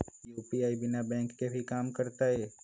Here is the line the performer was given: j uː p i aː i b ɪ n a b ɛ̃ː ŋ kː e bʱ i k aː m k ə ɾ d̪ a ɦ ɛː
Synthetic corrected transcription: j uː p i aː i b ɪ n a b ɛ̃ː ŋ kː e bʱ i k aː m k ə ɾ t̪ a ɦ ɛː